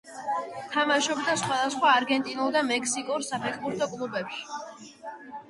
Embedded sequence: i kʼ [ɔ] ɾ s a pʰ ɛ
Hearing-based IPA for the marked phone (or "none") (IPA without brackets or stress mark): u